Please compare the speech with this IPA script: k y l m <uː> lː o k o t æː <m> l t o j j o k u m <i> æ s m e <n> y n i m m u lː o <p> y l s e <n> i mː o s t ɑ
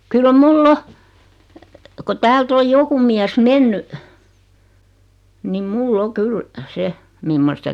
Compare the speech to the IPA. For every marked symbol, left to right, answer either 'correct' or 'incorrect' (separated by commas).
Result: incorrect, incorrect, correct, incorrect, incorrect, incorrect